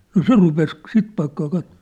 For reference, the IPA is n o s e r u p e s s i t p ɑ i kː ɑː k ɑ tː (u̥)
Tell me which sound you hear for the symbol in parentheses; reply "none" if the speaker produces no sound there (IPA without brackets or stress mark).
o̥